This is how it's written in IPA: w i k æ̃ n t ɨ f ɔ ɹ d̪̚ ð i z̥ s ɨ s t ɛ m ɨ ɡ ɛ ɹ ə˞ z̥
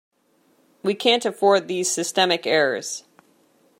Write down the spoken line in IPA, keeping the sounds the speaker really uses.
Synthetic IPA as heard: w i kʰ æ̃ n t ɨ f ɔ ɹ d̪̚ ð i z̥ s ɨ s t ɛ m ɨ k ɛ ɹ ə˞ z̥